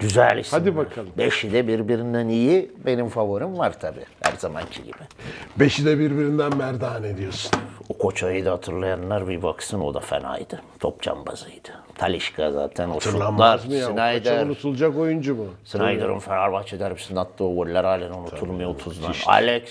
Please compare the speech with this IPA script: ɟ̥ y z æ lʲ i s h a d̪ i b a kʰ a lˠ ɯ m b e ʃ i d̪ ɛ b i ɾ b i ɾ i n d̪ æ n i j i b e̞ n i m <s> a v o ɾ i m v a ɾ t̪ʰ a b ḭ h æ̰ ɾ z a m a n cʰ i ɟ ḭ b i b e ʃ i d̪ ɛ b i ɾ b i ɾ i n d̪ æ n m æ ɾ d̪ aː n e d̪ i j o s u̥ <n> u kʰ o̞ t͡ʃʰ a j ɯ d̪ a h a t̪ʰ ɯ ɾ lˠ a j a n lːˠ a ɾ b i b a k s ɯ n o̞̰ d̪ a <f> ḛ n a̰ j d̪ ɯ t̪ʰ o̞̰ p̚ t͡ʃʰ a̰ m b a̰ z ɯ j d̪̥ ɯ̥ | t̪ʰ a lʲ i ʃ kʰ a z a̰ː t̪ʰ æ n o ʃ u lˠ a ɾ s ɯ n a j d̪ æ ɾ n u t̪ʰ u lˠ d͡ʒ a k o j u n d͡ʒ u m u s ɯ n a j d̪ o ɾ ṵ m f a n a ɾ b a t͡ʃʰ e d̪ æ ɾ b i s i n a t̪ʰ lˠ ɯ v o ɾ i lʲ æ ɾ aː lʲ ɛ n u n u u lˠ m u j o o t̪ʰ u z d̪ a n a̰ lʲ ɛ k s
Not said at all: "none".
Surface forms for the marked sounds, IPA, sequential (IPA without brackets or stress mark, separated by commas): f, n, f